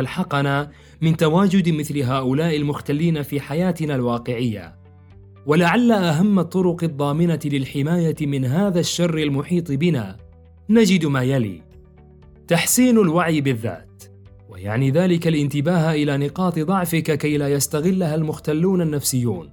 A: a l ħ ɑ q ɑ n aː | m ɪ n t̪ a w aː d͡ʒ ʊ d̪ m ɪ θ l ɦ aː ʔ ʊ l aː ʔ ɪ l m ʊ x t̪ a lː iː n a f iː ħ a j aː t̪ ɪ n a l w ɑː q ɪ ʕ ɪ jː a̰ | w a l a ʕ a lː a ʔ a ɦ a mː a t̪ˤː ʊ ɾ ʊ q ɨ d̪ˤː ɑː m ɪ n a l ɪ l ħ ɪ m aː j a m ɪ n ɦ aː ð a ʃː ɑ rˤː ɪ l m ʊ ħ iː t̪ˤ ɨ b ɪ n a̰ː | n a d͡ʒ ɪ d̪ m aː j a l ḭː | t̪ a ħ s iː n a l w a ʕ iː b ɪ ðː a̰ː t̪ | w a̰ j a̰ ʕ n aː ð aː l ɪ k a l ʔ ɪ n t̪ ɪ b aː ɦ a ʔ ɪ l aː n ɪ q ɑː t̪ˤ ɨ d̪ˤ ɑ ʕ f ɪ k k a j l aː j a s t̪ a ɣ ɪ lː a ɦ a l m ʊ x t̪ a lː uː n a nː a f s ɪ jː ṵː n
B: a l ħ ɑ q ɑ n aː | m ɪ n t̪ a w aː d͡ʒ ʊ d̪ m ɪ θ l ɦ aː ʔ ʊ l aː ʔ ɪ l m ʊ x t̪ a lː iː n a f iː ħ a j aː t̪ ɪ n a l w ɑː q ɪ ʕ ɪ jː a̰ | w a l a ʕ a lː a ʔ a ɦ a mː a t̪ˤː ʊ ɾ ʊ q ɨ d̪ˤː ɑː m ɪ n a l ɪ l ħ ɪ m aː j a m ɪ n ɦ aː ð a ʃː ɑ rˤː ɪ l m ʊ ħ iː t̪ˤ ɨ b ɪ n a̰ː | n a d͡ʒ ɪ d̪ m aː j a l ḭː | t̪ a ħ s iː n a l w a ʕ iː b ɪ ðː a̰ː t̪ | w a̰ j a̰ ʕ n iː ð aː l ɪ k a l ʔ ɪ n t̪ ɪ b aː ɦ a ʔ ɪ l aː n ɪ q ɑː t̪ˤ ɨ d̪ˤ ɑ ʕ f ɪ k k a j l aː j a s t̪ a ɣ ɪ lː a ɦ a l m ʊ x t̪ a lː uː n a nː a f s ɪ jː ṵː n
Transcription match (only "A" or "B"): B